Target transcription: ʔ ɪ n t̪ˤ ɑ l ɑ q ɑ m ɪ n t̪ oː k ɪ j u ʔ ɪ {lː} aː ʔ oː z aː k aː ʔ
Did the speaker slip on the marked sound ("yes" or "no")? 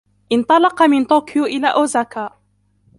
yes